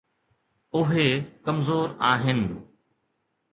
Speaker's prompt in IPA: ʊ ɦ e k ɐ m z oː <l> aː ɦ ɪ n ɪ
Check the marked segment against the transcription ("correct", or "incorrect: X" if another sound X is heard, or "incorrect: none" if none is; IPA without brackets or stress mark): incorrect: ɾ